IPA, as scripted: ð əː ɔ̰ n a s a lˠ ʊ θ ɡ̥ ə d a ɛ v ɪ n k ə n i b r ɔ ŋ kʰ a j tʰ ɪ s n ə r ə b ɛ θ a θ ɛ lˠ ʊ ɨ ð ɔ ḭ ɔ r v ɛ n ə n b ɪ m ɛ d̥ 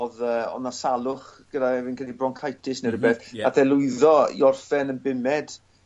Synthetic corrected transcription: ð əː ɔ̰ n a s a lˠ ʊ χ ɡ̥ ə d a ɛ v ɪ n k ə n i b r ɔ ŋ kʰ a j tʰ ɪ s n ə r ə b ɛ θ a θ ɛ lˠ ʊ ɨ ð ɔ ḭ ɔ r f ɛ n ə n b ɪ m ɛ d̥